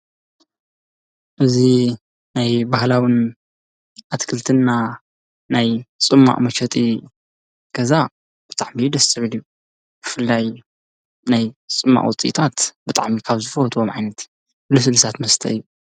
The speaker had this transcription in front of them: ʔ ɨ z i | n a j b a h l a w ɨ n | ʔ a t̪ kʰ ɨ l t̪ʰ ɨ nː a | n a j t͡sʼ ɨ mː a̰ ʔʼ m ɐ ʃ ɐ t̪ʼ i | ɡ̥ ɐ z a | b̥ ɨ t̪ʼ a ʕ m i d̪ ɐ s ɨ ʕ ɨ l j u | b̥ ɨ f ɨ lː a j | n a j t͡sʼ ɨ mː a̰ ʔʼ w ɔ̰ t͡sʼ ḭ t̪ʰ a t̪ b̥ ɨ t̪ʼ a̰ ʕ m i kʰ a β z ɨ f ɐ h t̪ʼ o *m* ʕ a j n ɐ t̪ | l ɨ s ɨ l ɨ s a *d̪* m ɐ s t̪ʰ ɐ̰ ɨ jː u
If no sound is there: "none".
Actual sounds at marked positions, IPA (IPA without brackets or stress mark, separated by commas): m, t̪